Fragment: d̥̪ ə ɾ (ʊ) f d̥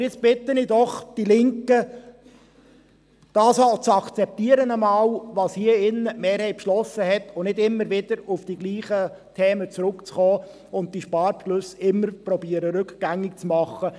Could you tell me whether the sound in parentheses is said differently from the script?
no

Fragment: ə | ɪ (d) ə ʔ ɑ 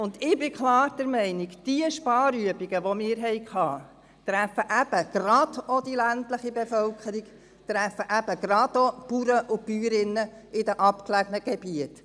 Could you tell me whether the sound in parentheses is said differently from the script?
no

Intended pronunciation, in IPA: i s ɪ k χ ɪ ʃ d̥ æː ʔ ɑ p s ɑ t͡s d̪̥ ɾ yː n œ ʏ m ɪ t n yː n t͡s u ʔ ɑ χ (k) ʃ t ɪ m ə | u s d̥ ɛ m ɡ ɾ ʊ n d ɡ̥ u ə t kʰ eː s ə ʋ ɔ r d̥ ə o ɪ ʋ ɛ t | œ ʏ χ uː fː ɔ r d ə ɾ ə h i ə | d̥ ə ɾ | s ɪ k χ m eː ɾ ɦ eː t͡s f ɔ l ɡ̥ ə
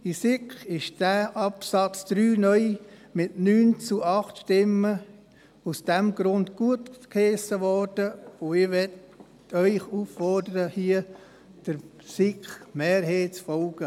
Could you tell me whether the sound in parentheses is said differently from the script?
yes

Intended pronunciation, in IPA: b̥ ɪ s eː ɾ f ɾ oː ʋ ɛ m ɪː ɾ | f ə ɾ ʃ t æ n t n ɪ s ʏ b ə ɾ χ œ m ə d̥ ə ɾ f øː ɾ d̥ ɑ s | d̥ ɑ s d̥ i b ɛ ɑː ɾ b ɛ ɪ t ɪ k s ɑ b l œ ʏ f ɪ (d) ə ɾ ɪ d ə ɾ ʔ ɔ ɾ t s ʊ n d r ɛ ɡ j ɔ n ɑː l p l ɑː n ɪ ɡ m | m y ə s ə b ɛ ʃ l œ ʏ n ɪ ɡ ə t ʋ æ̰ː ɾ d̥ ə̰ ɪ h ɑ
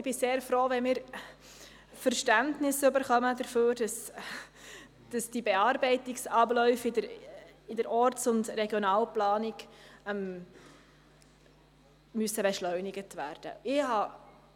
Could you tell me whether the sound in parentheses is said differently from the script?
no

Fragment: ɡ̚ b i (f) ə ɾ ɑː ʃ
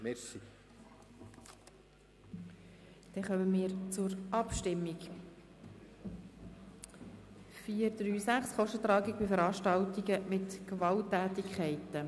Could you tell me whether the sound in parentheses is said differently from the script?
no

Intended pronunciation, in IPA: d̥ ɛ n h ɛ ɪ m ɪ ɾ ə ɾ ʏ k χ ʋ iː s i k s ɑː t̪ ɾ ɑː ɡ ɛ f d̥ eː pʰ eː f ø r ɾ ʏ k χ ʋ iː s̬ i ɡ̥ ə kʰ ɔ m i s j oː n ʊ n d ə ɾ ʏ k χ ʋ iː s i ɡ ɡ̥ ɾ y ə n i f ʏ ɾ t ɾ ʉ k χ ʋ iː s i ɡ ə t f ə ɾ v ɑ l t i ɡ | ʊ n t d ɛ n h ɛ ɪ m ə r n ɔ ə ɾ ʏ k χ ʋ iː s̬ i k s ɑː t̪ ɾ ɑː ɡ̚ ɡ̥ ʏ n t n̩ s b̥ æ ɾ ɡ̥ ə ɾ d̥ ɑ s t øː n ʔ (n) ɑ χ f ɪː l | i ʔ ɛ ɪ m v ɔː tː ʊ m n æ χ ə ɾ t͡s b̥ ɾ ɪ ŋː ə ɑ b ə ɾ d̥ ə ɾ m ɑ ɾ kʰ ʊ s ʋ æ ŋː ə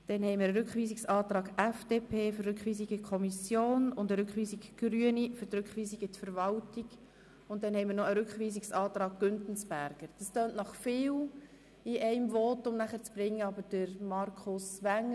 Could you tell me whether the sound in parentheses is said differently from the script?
no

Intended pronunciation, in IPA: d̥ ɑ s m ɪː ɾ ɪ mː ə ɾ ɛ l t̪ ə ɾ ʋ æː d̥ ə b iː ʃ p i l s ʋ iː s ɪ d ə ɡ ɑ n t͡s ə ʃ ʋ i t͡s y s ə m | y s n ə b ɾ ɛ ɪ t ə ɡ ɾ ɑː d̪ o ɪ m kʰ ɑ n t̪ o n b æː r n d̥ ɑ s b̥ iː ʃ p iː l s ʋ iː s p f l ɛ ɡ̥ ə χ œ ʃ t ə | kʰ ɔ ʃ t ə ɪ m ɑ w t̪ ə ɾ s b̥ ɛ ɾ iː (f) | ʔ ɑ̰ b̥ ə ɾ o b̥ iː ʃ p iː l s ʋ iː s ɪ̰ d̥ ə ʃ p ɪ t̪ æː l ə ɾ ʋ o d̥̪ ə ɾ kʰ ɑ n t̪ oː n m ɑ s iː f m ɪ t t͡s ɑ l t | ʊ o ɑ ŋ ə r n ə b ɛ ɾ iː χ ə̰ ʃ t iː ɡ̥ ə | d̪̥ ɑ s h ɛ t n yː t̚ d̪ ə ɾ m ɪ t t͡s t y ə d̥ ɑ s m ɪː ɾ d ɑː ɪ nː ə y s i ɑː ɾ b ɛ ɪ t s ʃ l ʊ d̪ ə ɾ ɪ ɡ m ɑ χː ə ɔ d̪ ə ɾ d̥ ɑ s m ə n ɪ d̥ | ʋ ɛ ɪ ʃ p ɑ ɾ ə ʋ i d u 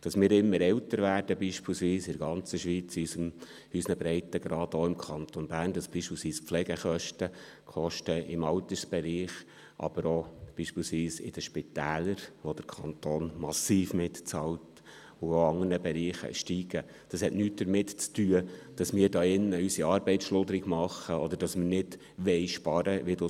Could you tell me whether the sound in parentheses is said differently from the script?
yes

